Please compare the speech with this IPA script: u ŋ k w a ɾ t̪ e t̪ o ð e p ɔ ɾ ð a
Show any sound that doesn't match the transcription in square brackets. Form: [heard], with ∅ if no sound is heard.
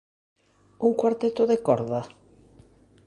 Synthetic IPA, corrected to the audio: u ŋ k w a ɾ t̪ e t̪ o ð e [k] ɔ ɾ ð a